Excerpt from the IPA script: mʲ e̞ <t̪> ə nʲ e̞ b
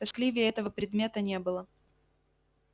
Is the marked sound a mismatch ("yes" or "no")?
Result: no